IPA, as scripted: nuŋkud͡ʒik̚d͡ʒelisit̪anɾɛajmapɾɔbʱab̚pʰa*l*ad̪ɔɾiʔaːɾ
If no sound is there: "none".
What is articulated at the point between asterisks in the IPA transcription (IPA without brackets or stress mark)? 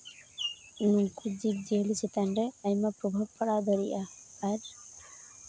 ɽ